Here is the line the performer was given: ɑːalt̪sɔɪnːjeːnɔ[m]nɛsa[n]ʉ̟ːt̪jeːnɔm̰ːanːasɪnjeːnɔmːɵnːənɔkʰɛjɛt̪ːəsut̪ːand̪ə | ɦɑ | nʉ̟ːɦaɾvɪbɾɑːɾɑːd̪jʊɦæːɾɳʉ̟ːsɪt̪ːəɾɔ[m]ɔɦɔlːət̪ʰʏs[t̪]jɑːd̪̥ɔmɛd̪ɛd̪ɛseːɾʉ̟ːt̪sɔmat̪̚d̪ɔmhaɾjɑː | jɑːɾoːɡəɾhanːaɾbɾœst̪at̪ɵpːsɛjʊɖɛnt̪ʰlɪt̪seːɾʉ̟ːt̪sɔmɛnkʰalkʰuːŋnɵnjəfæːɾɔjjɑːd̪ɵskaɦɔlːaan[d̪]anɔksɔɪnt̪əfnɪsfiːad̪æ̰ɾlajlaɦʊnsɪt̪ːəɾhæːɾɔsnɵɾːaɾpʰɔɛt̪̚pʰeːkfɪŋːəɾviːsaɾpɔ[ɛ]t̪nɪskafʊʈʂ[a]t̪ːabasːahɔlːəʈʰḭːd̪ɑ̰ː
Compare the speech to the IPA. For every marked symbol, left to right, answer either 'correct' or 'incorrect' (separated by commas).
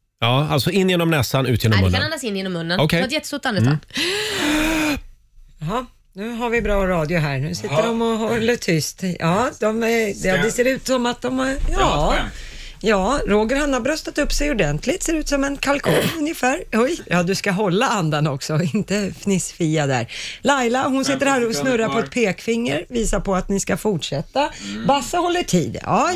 correct, correct, correct, correct, correct, incorrect, incorrect